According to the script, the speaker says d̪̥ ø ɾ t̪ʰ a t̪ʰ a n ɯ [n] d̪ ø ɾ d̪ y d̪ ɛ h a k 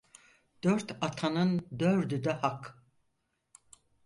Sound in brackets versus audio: correct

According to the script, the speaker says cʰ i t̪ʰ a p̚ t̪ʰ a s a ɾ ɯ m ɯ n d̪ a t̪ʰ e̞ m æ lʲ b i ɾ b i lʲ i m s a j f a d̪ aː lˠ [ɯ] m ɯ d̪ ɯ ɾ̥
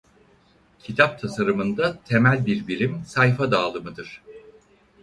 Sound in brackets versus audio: correct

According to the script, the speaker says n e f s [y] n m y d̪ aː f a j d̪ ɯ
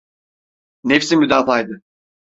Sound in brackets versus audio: incorrect: i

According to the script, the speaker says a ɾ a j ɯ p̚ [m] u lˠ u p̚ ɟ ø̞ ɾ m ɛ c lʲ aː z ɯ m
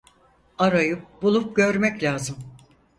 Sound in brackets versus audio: incorrect: b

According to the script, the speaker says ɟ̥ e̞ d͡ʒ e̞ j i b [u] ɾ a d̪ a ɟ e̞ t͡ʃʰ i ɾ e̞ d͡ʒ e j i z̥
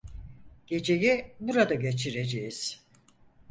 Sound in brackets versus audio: correct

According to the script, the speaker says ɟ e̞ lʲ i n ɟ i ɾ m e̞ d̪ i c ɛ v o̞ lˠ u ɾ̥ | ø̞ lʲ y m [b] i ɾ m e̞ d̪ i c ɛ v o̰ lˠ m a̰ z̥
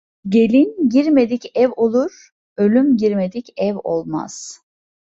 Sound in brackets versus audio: incorrect: ɟ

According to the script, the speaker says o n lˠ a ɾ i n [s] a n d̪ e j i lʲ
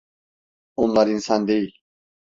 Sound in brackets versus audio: correct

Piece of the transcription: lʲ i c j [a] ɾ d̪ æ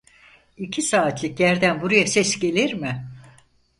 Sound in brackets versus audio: incorrect: æ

